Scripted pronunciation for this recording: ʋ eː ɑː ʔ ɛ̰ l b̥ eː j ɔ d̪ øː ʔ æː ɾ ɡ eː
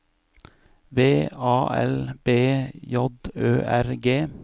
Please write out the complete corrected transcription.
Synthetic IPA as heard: ʋ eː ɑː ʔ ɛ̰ l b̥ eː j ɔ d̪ øː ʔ æ ɾ ɡ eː